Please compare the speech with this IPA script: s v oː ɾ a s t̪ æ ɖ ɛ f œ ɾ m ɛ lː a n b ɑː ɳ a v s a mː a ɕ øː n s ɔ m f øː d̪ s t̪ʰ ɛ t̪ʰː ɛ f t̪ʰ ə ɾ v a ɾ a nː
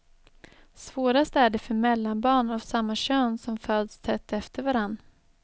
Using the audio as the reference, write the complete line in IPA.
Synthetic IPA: s v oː ɾ a s t̪ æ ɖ ɛ f œ ɾ m ɛ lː a n b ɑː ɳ a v s a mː a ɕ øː n s ɔ m f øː d̪ s t̪ʰ ɛ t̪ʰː ɛ f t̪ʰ ə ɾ v a ɾ a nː